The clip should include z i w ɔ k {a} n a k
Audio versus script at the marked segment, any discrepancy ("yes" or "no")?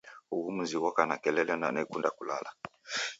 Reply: no